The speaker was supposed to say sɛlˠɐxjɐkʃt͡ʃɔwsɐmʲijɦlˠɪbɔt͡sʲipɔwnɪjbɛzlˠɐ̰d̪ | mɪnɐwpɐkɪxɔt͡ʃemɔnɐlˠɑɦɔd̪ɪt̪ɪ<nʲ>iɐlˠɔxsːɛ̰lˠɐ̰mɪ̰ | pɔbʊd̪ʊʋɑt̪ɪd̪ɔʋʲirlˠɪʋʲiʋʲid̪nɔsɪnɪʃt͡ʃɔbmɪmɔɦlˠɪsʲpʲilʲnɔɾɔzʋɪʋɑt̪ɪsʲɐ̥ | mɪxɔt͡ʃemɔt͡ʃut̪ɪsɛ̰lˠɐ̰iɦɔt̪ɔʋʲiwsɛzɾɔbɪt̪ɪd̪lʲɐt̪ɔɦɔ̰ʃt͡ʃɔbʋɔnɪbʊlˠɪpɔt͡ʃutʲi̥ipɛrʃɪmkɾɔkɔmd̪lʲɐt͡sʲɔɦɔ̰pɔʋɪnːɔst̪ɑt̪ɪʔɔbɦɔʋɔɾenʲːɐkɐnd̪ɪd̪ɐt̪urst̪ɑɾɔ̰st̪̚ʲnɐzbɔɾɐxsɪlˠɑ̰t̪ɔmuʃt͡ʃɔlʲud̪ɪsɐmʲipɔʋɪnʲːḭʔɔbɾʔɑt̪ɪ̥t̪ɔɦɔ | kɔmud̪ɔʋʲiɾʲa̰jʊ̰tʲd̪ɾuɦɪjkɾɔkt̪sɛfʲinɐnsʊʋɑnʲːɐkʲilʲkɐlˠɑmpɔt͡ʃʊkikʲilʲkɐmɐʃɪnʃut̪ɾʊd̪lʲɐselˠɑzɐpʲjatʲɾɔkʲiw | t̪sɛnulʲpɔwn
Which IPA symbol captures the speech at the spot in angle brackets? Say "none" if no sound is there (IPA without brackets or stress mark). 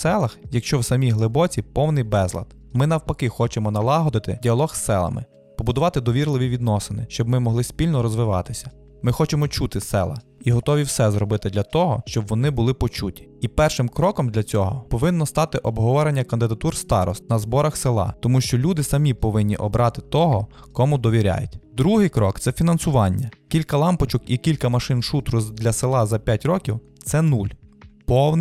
dʲ